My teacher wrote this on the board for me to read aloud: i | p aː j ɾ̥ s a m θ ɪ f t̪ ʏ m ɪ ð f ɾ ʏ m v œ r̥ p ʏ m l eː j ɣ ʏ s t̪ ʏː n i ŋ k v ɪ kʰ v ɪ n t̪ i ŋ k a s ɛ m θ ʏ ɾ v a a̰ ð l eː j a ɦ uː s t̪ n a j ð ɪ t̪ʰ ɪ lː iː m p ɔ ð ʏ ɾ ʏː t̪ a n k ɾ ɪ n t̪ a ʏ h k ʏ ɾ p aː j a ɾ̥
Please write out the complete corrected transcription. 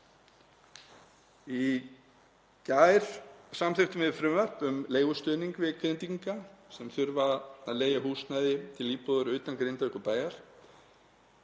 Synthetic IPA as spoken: i | c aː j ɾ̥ s a m θ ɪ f t̪ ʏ m ɪ ð f ɾ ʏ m v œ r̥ p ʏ m l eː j ɣ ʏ s t̪ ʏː n i ŋ k v ɪ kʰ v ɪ n t̪ i ŋ k a s ɛ m θ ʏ ɾ v a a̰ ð l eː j a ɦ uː s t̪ n a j ð ɪ t̪ʰ ɪ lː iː p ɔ ð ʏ ɾ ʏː t̪ a n k ɾ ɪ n t̪ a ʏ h k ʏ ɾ p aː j a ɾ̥